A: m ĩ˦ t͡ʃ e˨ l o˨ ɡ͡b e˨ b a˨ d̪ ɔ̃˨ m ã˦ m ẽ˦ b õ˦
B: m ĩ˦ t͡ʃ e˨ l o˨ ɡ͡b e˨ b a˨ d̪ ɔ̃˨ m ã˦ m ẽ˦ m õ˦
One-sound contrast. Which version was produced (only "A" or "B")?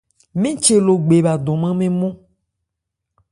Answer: B